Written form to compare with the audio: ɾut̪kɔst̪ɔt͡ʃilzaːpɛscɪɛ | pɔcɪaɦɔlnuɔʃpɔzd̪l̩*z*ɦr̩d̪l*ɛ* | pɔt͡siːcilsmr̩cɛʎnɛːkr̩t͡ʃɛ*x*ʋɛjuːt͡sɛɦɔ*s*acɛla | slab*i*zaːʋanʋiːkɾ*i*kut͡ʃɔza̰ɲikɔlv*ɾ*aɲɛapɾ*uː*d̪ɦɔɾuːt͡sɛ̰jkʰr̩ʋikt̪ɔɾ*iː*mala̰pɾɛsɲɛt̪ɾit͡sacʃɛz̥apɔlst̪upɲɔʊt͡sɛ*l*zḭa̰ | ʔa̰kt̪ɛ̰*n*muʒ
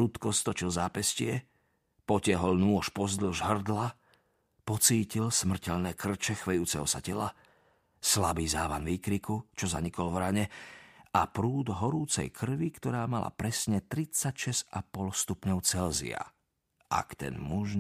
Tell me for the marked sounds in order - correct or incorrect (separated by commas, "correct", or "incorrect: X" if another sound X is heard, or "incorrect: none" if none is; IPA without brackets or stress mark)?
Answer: incorrect: ʒ, incorrect: a, correct, correct, incorrect: iː, correct, correct, correct, incorrect: aː, correct, correct